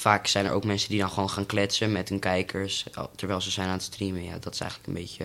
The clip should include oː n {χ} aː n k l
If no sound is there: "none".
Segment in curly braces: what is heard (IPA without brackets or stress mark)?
χ